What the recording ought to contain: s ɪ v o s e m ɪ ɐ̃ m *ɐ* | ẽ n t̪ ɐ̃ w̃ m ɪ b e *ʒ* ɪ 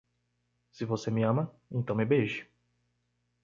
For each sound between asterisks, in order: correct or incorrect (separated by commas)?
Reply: correct, correct